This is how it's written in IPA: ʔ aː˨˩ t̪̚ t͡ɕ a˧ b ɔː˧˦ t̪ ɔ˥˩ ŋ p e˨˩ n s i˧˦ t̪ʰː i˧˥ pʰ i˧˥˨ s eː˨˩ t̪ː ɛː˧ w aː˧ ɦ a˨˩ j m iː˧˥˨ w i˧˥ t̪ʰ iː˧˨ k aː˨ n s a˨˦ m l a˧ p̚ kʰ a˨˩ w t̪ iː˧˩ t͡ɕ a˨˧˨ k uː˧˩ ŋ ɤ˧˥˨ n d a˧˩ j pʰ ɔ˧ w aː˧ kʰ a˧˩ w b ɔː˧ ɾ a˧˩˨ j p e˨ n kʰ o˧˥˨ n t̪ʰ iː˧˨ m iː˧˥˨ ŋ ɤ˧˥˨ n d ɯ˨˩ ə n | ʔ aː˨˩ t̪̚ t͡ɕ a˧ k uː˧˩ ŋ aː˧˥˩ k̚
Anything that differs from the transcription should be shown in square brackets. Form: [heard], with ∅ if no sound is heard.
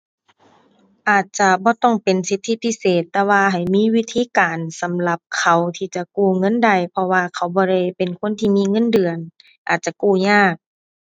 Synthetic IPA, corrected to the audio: ʔ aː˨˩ t̪̚ t͡ɕ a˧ b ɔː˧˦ t̪ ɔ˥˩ ŋ p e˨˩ n s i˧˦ t̪ʰː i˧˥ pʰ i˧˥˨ s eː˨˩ t̪ː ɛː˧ w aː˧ ɦ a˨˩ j m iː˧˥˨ w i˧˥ t̪ʰ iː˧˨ k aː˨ n s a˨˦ m l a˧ p̚ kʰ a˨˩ w [t̪ʰ] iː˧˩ t͡ɕ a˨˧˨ k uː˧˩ ŋ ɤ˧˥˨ n d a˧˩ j pʰ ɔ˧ w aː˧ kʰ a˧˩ w b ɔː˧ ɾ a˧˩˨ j p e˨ n kʰ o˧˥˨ n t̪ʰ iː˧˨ m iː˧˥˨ ŋ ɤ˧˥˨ n d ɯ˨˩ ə n | ʔ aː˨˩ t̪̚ t͡ɕ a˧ k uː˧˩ [ɲ] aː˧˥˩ k̚